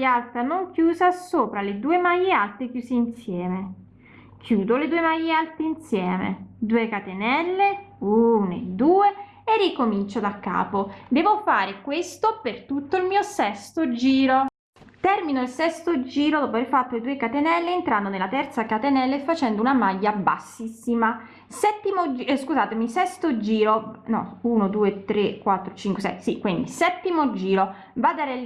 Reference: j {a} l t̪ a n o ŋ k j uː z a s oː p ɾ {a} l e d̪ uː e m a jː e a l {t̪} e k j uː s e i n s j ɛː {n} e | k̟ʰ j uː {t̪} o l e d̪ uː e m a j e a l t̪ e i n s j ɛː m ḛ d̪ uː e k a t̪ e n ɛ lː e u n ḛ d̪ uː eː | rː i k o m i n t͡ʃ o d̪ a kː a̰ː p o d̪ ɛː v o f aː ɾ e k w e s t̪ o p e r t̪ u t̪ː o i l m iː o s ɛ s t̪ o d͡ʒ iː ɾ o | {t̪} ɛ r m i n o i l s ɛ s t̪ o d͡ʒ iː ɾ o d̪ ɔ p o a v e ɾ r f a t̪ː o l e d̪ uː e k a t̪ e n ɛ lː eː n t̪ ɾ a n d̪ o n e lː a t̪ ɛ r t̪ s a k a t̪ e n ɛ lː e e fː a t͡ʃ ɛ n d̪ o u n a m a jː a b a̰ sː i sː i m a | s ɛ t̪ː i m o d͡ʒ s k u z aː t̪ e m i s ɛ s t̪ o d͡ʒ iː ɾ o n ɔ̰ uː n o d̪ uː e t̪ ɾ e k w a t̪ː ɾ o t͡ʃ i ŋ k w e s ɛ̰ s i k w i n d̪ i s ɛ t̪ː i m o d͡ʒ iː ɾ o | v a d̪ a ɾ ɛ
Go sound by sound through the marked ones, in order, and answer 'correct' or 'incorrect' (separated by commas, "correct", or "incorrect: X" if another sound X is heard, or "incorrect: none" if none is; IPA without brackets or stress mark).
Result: correct, correct, correct, incorrect: m, incorrect: d̪, correct